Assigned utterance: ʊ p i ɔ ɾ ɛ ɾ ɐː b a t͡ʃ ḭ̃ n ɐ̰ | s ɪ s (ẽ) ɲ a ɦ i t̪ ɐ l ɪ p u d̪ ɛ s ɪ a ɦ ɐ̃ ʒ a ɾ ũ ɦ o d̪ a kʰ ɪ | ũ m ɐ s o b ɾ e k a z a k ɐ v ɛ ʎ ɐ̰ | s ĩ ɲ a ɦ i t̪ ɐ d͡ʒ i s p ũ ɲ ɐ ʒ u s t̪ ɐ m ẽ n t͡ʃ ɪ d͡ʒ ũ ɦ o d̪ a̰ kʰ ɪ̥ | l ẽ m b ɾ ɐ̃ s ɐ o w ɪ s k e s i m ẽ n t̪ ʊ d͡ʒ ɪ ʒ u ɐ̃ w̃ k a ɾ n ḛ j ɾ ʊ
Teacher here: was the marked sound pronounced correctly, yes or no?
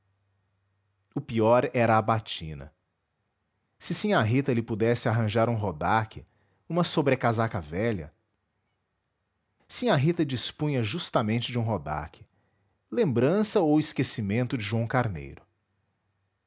no